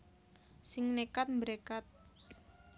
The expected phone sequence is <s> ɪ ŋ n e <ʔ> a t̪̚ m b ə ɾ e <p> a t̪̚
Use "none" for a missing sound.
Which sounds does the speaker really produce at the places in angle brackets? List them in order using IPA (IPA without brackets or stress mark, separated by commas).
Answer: s, k, k